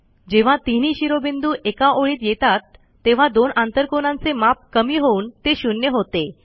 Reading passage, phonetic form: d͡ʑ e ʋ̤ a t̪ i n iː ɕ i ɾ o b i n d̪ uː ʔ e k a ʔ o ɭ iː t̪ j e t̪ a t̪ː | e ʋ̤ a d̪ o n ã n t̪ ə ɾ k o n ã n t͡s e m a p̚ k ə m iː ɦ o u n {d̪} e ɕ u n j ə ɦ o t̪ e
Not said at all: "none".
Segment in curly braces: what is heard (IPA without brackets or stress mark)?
t̪